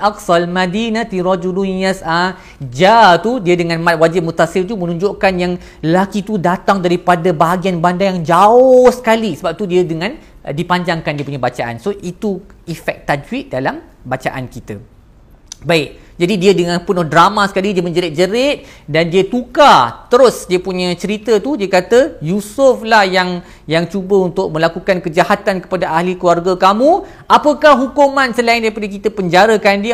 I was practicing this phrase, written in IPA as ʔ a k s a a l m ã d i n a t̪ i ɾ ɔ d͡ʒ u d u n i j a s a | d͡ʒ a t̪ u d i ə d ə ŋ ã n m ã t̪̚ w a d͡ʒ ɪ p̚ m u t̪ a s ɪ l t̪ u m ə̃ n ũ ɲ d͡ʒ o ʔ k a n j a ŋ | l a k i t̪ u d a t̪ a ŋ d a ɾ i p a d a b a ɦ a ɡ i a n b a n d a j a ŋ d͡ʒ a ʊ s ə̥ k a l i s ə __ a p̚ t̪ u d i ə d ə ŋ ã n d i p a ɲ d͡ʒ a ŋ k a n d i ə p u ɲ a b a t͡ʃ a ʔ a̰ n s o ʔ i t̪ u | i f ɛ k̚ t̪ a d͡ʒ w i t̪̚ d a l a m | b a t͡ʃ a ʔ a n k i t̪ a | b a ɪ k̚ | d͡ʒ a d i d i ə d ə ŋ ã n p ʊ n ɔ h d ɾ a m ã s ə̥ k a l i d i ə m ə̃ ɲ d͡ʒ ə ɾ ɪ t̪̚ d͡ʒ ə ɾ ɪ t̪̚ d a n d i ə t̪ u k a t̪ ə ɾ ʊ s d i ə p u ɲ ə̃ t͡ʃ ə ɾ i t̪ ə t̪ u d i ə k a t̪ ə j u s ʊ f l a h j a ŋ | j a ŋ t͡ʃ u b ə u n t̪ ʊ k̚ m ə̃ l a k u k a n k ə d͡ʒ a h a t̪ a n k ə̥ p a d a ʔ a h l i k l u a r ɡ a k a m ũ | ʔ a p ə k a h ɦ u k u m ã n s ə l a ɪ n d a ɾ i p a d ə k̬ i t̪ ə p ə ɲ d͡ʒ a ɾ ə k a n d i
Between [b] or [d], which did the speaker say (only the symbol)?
b